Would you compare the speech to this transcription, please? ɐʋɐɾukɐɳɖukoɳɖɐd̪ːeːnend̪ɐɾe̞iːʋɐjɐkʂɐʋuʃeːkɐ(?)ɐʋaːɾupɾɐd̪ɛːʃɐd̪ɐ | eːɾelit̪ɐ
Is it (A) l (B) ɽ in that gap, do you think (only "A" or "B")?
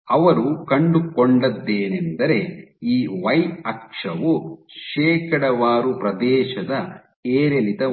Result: B